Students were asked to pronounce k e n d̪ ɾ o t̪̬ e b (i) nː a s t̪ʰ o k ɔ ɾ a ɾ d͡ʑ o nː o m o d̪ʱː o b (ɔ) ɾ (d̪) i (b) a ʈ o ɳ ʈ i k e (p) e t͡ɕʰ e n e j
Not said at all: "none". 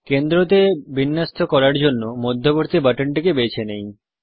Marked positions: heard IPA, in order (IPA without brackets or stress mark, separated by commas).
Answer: i, o, t̪, b, b